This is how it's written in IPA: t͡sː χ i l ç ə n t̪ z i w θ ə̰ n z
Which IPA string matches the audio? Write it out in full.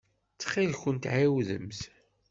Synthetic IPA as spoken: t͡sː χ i l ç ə n t̪ ʕ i w ð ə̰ m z